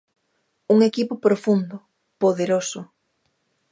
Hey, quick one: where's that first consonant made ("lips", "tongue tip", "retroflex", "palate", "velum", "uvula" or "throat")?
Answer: velum